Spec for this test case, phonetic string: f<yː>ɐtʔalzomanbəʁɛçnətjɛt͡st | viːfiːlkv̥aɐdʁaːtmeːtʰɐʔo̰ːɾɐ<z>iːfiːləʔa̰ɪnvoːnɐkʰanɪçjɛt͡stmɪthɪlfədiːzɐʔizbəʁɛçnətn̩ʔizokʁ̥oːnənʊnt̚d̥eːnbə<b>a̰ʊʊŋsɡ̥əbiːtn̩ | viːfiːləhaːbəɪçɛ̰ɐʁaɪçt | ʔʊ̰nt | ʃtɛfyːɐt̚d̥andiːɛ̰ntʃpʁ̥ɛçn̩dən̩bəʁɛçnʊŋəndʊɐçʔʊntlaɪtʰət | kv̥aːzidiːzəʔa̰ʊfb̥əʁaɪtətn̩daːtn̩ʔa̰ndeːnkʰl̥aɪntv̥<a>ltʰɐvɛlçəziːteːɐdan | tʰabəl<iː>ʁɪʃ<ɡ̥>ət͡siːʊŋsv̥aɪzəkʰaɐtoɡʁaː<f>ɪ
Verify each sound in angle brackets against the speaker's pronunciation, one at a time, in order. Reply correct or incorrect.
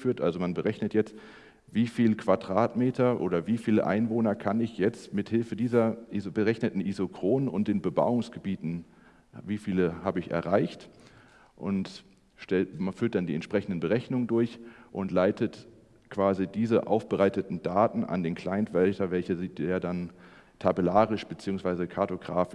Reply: correct, incorrect, correct, incorrect, incorrect, incorrect, correct

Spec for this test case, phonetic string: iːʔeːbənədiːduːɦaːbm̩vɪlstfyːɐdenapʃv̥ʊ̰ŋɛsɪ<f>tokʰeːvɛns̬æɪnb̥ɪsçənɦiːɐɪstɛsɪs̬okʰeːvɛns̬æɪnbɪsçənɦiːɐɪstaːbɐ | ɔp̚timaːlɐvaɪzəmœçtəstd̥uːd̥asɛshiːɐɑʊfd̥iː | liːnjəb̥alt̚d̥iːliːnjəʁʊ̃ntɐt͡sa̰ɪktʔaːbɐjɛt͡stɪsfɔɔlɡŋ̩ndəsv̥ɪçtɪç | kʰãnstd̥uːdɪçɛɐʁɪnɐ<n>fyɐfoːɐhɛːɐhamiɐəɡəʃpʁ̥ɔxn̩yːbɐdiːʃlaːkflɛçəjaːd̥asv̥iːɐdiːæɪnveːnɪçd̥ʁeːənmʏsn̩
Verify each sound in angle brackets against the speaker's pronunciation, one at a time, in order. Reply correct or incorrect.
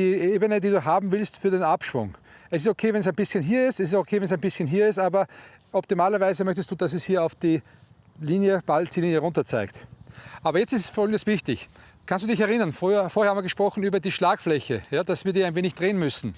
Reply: incorrect, correct

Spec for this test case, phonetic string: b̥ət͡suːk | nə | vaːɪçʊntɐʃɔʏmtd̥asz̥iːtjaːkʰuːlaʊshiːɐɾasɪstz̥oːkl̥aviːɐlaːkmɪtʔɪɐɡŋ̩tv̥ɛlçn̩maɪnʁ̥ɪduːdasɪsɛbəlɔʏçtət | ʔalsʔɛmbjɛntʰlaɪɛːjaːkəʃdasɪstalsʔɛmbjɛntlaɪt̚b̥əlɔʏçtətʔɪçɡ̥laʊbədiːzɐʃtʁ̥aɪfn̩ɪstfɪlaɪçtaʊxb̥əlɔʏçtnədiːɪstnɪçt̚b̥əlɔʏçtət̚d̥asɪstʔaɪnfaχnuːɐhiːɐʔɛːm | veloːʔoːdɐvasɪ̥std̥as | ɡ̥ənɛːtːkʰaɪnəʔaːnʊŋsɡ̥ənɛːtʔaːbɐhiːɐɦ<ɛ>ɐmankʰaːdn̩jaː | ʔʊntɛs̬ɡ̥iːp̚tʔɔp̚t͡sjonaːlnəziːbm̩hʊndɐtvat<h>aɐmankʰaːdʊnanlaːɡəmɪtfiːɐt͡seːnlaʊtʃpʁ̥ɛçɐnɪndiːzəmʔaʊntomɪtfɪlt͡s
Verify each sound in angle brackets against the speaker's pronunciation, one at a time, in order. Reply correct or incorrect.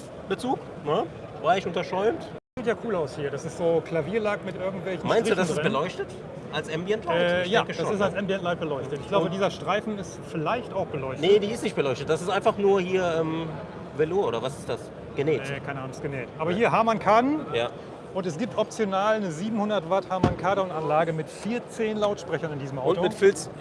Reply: incorrect, correct

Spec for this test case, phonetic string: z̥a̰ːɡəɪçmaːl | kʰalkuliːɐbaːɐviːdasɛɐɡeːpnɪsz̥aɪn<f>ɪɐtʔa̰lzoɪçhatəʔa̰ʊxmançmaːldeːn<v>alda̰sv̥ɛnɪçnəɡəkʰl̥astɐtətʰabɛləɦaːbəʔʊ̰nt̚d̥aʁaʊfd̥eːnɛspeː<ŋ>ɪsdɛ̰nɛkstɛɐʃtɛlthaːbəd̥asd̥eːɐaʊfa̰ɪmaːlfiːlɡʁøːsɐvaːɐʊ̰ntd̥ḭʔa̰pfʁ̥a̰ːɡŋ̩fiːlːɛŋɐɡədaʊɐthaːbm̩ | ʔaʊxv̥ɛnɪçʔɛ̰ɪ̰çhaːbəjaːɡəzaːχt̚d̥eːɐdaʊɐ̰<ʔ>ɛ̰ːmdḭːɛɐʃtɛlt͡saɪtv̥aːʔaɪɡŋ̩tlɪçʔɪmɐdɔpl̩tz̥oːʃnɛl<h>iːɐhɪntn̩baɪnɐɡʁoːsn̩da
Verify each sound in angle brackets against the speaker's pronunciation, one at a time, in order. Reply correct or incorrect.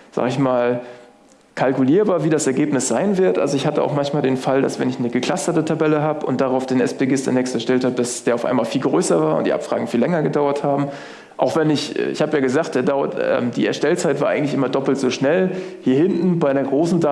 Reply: incorrect, incorrect, incorrect, incorrect, correct

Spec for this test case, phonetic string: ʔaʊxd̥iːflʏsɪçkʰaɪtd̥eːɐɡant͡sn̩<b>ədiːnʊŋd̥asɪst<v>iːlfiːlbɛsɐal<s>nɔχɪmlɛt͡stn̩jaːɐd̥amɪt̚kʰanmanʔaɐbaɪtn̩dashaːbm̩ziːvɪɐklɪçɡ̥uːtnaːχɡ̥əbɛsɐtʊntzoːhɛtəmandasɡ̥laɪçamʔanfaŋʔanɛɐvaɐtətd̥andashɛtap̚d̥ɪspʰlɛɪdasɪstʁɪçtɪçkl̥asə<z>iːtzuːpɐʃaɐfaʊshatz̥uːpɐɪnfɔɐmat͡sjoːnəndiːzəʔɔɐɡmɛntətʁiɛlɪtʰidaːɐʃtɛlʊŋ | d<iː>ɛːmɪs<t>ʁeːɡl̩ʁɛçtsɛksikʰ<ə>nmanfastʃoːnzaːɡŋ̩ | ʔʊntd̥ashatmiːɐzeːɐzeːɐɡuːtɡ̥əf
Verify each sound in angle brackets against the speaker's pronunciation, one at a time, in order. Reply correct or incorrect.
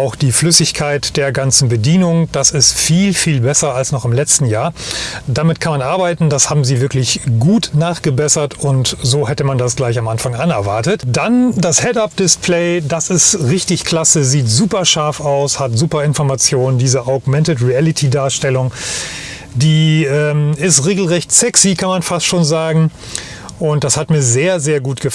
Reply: correct, incorrect, correct, correct, correct, correct, incorrect

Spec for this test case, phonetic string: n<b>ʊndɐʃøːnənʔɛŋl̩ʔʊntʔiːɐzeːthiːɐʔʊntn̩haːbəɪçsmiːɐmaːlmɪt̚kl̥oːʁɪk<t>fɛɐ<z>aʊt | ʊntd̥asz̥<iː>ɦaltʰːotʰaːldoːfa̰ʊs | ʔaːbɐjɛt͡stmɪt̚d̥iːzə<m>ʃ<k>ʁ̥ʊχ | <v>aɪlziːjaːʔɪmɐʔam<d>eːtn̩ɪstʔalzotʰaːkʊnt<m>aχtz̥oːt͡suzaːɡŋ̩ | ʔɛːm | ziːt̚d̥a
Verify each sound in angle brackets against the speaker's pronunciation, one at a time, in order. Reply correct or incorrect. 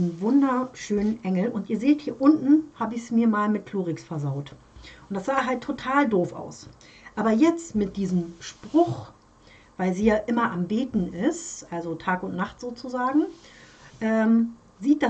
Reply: incorrect, incorrect, correct, incorrect, correct, incorrect, correct, incorrect, incorrect

